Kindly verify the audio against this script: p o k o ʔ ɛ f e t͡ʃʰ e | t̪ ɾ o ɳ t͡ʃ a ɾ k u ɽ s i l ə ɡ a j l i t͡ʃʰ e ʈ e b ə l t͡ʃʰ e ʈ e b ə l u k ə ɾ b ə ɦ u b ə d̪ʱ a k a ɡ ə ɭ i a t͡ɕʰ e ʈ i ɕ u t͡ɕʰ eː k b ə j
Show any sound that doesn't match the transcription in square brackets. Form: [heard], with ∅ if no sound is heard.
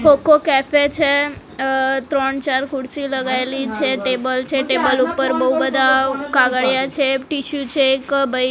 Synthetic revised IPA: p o k o [k] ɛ f e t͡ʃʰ e | t̪ ɾ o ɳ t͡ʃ a ɾ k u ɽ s i l ə ɡ a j l i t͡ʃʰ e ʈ e b ə l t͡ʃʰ e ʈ e b ə l u [p] ə ɾ b ə ɦ u b ə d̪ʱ a k a ɡ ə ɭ [j] a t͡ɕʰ e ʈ i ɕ u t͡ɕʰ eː k b ə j